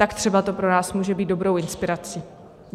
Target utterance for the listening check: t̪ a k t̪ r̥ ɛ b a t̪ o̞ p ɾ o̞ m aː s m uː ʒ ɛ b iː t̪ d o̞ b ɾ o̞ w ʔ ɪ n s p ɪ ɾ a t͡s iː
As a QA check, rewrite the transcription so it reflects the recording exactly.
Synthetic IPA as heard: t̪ a k t̪ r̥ ɛ b a t̪ o̞ p ɾ o̞ n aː s m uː ʒ ɛ b iː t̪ d o̞ b ɾ o̞ w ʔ ɪ n s p ɪ ɾ a t͡s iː

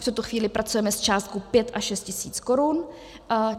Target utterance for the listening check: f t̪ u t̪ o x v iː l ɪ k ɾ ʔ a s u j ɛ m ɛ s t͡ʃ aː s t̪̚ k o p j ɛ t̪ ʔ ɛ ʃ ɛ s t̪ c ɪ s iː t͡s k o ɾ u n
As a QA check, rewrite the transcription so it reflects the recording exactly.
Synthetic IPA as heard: f t̪ u t̪ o x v iː l ɪ p ɾ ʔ a t͡s u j ɛ m ɛ s t͡ʃ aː s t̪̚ k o p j ɛ t̪ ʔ a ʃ ɛ s t̪ c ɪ s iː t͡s k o ɾ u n

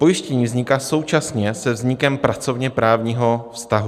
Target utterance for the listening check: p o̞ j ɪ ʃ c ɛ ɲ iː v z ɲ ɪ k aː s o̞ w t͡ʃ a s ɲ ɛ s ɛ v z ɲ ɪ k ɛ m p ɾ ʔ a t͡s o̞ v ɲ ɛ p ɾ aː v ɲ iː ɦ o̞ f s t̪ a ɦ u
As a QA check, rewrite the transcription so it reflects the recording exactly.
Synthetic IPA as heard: p o̞ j ɪ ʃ c ɛ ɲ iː v z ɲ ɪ k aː s o̞ w t͡ʃ a s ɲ ɛ s ɛ v z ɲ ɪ k ɛ m p ɾ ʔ a t͡s o̞ v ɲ ɛ p ɾ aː v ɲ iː ɦ o̞ f s t̪ a ɦ u

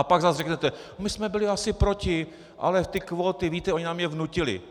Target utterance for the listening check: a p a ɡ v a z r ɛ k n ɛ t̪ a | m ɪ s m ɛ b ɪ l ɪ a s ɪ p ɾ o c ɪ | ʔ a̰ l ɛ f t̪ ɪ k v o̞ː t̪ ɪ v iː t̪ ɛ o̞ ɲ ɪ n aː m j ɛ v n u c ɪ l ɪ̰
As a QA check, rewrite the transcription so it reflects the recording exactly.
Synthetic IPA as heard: a p a ɡ z a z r ɛ k n ɛ t̪ ɛ | m ɪ s m ɛ b ɪ l ɪ a s ɪ p ɾ o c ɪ | ʔ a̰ l ɛ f t̪ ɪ k v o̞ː t̪ ɪ v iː t̪ ɛ o̞ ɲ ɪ n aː m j ɛ v n u c ɪ l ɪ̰

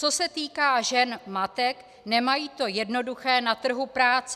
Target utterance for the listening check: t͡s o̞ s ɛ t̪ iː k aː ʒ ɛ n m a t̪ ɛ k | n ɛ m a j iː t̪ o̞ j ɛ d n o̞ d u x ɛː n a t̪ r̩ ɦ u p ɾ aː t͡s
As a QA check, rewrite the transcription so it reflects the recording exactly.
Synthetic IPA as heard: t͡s o̞ s ɛ t̪ iː k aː ʒ ɛ n m a t̪ ɛ k | n ɛ m a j iː t̪ o̞ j ɛ d n o̞ d u x ɛː n a t̪ r̩ ɦ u p ɾ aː t͡s

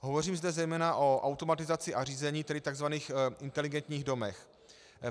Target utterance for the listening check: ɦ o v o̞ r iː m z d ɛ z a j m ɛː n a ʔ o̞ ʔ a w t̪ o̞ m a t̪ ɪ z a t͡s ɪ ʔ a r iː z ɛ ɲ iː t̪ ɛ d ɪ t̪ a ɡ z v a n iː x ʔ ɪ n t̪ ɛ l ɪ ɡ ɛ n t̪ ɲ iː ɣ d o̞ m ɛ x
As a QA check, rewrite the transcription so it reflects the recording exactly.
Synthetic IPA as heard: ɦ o v o̞ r iː m z d ɛ z ɛ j m ɛː n a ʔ o̞ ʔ a w t̪ o̞ m a t̪ ɪ z a t͡s ɪ ʔ a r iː z ɛ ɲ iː t̪ ɛ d ɪ t̪ a ɡ z v a n iː x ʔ ɪ n t̪ ɛ l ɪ ɡ ɛ n t̪ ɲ iː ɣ d o̞ m ɛ x

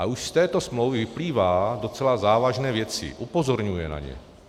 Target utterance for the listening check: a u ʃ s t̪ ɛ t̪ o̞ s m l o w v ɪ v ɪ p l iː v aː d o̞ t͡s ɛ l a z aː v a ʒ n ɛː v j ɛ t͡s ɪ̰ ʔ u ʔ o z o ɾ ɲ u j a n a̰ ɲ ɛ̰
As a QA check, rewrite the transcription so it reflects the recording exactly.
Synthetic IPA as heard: a u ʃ s t̪ ɛː t̪ o̞ s m l o w v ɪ v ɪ p l iː v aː d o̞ t͡s ɛ l a z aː v a ʒ n ɛː v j ɛ t͡s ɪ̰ ʔ u p o z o ɾ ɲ u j ɛ n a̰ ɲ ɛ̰

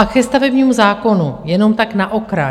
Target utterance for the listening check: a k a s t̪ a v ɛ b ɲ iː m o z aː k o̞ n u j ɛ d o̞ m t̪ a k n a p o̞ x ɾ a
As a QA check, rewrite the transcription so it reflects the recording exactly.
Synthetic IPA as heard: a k ɛ s t̪ a v ɛ b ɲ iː m u z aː k o̞ n u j ɛ n o̞ m t̪ a k n a ʔ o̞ k ɾ a

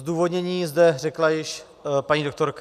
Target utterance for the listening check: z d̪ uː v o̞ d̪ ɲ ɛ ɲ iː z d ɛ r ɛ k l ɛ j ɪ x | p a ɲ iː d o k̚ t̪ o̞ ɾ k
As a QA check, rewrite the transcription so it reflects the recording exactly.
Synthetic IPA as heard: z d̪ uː v o̞ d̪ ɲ ɛ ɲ iː z d ɛ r ɛ k l a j ɪ ʃ | p a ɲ iː d o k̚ t̪ o̞ ɾ k

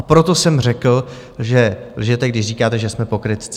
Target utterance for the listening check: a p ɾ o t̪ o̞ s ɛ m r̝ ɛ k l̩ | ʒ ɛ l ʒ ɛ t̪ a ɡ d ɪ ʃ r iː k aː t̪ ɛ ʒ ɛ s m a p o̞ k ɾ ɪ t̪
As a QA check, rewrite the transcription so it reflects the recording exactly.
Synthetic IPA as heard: a p ɾ o t̪ o̞ s ɛ m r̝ ɛ k l̩ | ʒ ɛ l ʒ ɛ t̪ ɛ ɡ d ɪ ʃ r iː k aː t̪ ɛ ʒ ɛ s m ɛ p o̞ k ɾ ɪ t̪

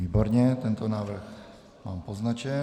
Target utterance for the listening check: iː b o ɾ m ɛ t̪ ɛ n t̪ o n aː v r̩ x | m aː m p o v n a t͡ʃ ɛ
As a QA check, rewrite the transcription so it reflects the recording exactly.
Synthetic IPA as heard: iː b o ɾ ɲ ɛ t̪ ɛ n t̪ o n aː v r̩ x | m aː m p o z n a t͡ʃ ɛ

